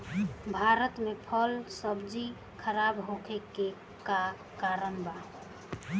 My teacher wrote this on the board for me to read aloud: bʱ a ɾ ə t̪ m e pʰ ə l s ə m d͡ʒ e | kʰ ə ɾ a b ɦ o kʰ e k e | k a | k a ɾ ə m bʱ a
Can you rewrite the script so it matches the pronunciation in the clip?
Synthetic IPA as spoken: bʱ a ɾ ə t̪ m e pʰ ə l s ə b d͡ʒ i | kʰ ə ɾ a b ɦ o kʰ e k e | k a | k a ɾ ə m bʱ a